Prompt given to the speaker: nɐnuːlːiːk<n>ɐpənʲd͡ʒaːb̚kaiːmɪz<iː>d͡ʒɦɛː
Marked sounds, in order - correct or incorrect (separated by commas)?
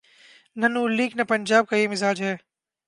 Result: correct, incorrect